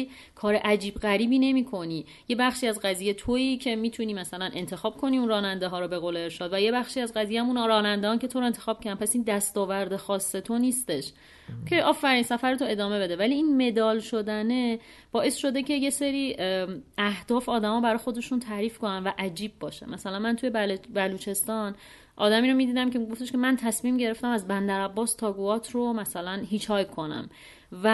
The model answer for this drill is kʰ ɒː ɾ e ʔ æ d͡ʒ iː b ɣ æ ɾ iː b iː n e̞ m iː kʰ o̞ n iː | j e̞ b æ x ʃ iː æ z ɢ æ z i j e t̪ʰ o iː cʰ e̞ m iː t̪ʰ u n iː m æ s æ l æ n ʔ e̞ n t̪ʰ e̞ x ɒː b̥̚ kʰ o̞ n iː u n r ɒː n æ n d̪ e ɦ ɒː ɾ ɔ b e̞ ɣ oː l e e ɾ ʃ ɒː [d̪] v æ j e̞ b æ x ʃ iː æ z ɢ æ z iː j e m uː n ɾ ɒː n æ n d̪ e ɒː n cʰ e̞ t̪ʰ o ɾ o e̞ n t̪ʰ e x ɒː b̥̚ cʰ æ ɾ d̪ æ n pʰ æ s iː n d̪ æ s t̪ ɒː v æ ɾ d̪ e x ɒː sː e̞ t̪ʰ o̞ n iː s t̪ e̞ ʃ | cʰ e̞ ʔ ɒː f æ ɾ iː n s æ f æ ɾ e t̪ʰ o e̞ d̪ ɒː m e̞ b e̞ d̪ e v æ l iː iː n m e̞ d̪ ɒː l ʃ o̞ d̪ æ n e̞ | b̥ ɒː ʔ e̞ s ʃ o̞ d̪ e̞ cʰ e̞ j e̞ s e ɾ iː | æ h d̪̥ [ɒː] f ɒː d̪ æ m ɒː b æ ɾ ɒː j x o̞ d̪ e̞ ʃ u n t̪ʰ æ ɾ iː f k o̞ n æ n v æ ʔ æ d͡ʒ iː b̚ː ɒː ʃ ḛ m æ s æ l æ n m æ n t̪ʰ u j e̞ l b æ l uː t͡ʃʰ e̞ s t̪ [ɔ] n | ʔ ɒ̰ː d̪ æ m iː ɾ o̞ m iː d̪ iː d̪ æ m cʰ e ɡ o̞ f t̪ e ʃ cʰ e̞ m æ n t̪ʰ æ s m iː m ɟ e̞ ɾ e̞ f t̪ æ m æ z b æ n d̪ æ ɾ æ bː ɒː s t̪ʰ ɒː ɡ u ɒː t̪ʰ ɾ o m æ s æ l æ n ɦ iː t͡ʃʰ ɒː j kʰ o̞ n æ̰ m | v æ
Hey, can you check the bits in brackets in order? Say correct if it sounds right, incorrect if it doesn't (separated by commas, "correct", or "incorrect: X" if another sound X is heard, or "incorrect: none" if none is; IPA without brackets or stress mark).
correct, correct, incorrect: ɒ